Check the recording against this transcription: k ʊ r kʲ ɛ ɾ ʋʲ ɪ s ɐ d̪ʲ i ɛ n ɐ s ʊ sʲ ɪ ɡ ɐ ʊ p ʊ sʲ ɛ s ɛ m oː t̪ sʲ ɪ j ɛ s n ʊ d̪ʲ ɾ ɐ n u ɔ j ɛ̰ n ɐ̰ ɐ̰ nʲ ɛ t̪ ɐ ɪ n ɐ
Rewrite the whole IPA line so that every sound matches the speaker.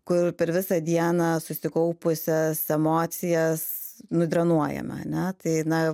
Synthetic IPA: k ʊ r pʲ ɛ ɾ ʋʲ ɪ s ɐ d̪ʲ i ɛ n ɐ s ʊ sʲ ɪ k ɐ ʊ p ʊ sʲ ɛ s ɛ m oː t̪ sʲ ɪ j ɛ s n ʊ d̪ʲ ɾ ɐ n u ɔ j ɛ̰ m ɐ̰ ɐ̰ nʲ ɛ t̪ ɐ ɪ n ɐ